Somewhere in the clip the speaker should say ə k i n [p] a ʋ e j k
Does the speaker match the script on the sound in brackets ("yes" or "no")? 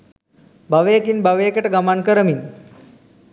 no